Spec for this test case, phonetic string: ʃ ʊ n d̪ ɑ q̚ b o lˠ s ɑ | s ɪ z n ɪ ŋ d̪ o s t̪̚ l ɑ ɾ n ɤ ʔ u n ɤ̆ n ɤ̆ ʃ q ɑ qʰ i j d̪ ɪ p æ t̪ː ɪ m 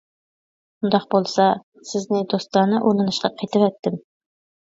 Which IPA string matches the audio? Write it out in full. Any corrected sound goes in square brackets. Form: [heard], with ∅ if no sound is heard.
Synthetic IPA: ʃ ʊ n d̪ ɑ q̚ b o lˠ s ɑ | s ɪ z n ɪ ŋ d̪ o s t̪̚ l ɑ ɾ n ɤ ʔ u n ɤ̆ n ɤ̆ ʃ q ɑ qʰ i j [t̪] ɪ p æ t̪ː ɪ m

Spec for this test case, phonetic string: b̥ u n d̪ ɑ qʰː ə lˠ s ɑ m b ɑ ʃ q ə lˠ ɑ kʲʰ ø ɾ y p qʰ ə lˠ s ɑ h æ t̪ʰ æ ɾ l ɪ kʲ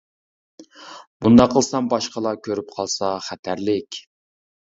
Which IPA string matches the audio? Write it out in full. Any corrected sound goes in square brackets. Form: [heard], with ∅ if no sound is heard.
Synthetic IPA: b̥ u n d̪ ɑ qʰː ə lˠ s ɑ m b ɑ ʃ q ə lˠ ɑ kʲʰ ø ɾ y p qʰ [ɑ] lˠ s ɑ [χ] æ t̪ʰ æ ɾ l ɪ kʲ

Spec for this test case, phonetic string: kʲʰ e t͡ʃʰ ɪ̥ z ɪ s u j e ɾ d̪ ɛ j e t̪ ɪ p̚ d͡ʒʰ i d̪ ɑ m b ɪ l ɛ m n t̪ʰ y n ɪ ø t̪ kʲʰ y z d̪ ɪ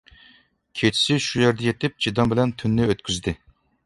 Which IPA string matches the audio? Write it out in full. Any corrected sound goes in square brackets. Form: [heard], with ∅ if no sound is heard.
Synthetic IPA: kʲʰ e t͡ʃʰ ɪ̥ [s] ɪ [ʃ] u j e ɾ d̪ ɛ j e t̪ ɪ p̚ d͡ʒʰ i d̪ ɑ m b ɪ l ɛ [∅] n t̪ʰ y [nː] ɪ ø t̪ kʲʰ y z d̪ ɪ

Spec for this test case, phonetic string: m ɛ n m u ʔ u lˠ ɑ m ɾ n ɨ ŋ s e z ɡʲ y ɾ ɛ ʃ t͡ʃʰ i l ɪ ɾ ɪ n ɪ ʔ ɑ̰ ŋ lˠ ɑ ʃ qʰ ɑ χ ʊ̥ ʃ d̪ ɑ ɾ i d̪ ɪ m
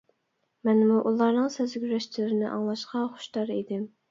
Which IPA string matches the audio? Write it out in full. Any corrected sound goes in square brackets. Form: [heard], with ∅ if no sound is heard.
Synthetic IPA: m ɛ n m u ʔ u lˠ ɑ [∅] ɾ n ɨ ŋ s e z ɡʲ y ɾ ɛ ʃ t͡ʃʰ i l ɪ ɾ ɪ n ɪ ʔ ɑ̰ ŋ lˠ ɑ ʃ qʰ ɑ χ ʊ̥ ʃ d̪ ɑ ɾ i d̪ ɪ m

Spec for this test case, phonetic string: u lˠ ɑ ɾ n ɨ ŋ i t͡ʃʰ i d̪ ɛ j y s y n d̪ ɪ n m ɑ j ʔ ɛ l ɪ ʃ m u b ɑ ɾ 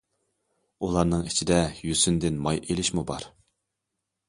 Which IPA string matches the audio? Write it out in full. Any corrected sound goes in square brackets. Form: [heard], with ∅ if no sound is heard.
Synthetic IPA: u lˠ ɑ ɾ n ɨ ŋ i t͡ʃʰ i d̪ ɛ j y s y n d̪ ɪ n m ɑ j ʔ [e] l ɪ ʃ m u b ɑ ɾ

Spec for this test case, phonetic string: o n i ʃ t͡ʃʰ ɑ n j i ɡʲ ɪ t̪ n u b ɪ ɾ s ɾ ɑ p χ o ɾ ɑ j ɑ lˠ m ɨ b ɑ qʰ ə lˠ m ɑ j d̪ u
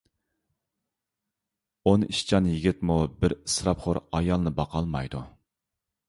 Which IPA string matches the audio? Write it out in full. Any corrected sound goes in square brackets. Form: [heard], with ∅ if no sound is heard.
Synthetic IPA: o n i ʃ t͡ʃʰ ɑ n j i ɡʲ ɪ t̪ [m] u b ɪ ɾ s ɾ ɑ p χ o ɾ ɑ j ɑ lˠ [n] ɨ b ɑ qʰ [ɑ] lˠ m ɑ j d̪ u

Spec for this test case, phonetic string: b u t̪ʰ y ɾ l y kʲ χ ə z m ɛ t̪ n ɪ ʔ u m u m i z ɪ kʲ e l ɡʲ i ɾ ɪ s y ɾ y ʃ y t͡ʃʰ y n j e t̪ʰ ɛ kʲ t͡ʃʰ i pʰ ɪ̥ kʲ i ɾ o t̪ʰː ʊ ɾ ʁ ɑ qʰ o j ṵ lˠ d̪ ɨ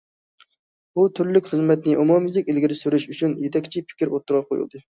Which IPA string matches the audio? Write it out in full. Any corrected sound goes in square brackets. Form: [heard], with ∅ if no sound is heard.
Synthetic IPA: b u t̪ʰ y ɾ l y kʲ χ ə z m ɛ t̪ n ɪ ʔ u m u m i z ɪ kʲ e l ɡʲ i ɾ ɪ s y ɾ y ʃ y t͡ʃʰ y n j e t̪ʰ ɛ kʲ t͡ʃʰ i pʰ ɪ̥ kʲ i ɾ o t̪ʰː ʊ ɾ ʁ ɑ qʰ o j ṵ lˠ d̪ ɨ

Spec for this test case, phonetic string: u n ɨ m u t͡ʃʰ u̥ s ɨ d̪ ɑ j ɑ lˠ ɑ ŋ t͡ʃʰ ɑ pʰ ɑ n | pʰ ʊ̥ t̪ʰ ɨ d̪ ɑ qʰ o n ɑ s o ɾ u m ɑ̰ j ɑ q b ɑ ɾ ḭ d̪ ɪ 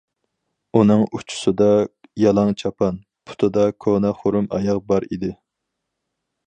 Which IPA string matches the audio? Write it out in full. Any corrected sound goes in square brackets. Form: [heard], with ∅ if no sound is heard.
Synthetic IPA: u n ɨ [ŋ] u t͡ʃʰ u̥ s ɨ d̪ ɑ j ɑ lˠ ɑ ŋ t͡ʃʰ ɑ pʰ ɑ n | pʰ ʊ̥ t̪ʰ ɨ d̪ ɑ [kʰ] o n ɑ [χ] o ɾ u m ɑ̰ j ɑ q b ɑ ɾ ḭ d̪ ɪ

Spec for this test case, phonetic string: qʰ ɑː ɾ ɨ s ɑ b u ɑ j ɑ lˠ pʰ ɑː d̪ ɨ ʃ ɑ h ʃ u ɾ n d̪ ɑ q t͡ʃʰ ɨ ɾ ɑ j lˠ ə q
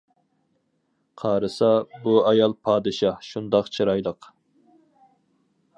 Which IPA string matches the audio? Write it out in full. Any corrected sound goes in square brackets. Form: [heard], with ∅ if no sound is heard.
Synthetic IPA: qʰ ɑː ɾ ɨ s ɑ b u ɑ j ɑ lˠ pʰ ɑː d̪ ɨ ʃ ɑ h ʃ u [∅] n d̪ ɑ q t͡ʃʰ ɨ ɾ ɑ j lˠ ə q

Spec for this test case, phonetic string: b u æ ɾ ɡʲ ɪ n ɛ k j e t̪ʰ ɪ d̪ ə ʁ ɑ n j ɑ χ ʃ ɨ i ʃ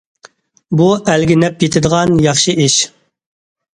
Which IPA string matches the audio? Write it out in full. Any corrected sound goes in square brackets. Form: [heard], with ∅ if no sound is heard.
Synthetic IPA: b u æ [l] ɡʲ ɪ n ɛ [p] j e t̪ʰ ɪ d̪ ə ʁ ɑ n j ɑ χ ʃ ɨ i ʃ

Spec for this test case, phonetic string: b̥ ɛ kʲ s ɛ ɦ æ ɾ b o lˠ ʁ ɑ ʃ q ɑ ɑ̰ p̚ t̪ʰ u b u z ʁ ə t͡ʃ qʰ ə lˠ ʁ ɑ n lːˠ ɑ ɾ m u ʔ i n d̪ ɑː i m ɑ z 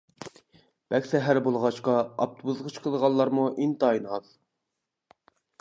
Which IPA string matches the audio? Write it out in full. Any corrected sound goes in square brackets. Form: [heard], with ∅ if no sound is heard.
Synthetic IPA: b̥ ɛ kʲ s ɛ ɦ æ ɾ b o lˠ ʁ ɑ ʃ q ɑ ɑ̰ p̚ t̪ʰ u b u z ʁ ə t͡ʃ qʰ ə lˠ ʁ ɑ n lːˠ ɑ ɾ m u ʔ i n [t̪] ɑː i [n] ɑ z

